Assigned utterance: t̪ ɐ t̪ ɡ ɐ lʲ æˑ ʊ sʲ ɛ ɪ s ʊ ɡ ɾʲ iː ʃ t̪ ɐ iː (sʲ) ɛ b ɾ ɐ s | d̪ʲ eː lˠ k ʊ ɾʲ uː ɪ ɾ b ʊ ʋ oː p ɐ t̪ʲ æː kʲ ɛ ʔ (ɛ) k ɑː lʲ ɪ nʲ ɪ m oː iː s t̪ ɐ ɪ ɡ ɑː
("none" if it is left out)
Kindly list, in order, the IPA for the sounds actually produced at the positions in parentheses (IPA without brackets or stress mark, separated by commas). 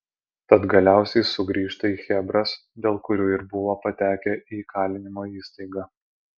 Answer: xʲ, i